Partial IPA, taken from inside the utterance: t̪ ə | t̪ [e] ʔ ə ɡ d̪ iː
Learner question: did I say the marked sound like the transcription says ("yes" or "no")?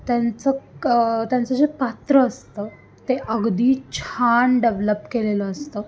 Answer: yes